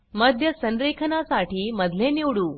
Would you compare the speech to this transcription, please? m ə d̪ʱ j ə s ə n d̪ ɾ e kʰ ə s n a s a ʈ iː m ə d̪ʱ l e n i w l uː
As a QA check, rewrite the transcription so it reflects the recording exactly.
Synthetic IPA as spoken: m ə d̪ʱ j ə s ə n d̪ ɾ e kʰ ə n a s a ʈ iː m ə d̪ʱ l e n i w ɽ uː